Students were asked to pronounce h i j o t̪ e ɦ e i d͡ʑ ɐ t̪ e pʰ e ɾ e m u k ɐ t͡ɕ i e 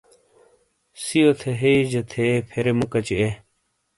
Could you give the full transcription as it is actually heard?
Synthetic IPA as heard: s i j o t̪ʰ e ɦ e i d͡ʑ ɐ t̪ʰ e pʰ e ɾ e m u k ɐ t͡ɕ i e